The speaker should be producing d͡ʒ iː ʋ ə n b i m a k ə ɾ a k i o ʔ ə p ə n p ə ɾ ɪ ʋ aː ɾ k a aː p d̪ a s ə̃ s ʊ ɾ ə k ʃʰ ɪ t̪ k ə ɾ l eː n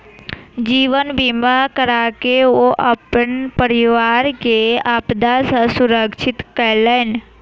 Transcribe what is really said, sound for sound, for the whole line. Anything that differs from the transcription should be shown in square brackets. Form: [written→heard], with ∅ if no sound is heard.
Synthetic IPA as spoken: d͡ʒ iː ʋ ə n b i m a k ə ɾ a k [i→e] o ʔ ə p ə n p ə ɾ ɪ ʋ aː ɾ k [a→e] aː p d̪ a s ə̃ s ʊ ɾ ə k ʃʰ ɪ t̪ k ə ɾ l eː n